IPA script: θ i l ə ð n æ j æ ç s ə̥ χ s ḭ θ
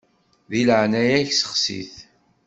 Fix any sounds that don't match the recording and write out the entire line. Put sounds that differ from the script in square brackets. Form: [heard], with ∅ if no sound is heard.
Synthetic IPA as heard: [ð] i l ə [ʕ] n æ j æ ç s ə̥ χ s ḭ θ